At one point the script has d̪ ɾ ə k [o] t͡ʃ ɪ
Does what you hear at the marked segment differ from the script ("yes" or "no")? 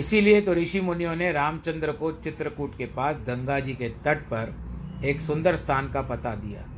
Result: no